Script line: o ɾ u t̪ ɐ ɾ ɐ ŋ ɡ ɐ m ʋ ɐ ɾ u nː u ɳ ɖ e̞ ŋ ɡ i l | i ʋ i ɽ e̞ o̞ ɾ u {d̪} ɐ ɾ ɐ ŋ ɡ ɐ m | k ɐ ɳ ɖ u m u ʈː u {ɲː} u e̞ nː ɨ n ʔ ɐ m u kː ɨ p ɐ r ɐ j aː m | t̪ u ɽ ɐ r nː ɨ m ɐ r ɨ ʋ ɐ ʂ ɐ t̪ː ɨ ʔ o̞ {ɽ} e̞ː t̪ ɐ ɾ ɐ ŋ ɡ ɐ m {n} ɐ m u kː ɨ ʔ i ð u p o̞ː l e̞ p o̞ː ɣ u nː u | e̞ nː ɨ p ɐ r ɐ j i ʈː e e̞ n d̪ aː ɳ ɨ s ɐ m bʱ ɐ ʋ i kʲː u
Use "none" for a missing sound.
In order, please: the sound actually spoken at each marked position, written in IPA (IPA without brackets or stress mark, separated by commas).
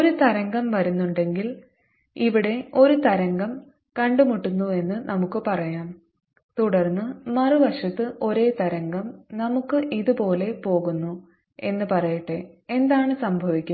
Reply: t̪, nː, ɾ, n